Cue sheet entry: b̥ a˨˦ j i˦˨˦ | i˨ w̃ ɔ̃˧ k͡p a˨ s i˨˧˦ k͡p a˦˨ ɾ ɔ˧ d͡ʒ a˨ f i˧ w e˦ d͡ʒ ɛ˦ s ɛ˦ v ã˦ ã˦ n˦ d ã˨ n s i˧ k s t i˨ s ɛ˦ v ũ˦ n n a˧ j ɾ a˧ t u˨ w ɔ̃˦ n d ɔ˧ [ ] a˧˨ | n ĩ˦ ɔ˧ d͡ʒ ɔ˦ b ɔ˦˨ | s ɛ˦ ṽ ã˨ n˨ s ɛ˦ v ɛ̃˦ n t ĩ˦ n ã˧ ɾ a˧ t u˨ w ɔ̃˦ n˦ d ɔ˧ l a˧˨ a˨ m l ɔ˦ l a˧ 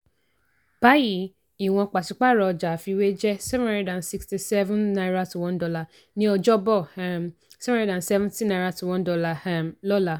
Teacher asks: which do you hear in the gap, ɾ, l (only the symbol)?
l